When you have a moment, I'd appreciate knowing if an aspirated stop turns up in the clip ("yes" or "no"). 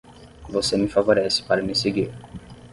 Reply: no